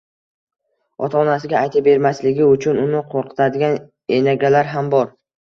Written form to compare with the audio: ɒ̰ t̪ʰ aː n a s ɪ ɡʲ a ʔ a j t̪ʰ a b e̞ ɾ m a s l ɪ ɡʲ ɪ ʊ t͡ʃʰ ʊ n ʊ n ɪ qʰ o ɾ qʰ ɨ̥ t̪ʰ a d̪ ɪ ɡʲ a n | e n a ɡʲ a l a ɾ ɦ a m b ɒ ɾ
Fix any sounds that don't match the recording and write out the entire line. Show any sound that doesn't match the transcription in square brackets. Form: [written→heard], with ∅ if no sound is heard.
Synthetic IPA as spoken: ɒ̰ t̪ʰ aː n a s ɪ ɡʲ a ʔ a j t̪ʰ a b e̞ ɾ m a s l ɪ ɡʲ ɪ ʊ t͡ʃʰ ʊ n ʊ n ɪ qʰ o ɾ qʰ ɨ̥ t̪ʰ a d̪ ɪ ɡʲ a n | e n a ɡʲ a l a ɾ ɦ a m b ɒ ɾ